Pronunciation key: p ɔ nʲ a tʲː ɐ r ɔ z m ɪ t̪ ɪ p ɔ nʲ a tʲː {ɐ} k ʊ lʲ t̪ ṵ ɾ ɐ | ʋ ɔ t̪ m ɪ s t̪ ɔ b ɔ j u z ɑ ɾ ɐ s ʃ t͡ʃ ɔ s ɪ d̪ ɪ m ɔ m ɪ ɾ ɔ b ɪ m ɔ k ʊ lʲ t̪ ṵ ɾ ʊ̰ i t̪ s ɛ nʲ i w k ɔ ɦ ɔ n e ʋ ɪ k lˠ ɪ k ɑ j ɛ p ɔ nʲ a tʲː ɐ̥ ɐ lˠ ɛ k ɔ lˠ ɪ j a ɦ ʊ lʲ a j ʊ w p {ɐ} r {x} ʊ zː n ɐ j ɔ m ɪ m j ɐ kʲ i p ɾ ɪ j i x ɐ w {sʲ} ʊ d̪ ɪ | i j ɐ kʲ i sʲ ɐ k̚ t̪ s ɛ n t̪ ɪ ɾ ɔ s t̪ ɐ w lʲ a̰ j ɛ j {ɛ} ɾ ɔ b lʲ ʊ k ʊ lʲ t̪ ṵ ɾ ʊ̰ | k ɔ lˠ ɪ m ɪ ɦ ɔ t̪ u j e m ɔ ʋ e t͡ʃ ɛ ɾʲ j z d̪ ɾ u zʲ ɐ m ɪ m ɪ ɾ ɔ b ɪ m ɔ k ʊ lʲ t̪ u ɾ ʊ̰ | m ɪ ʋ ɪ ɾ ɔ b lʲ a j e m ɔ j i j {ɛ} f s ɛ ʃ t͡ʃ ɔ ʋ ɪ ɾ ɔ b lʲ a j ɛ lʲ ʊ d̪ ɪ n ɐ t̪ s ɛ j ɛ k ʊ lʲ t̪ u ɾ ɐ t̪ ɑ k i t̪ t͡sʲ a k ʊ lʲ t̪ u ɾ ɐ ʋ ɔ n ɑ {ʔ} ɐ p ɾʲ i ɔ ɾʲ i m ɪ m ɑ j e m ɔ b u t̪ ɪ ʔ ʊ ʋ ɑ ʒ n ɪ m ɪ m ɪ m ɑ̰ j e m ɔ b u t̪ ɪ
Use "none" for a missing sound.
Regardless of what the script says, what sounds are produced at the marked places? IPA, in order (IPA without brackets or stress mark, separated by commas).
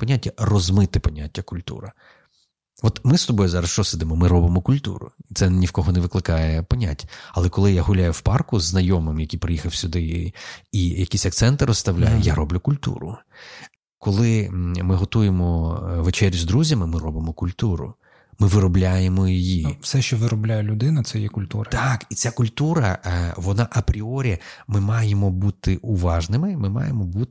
ɐ, ɑ, k, sʲ, a, i, ʔ